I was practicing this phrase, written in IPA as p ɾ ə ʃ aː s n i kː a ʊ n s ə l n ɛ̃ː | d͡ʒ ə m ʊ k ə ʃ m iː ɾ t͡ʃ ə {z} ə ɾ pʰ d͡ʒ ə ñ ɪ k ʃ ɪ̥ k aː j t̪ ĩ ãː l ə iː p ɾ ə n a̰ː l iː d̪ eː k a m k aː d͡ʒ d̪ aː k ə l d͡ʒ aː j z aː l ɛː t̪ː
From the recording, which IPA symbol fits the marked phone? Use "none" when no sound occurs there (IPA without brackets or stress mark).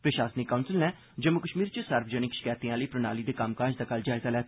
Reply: s